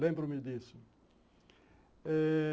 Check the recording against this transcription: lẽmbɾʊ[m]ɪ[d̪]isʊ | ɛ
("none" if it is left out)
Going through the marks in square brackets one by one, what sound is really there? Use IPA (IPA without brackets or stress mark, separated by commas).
m, d̪